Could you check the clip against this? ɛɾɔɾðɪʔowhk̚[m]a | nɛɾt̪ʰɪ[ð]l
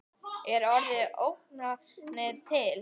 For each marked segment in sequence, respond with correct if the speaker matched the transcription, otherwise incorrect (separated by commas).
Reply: incorrect, incorrect